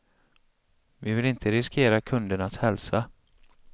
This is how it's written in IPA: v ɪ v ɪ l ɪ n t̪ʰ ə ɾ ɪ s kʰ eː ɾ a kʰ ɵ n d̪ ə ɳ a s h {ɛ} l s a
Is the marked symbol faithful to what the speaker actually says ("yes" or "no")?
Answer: yes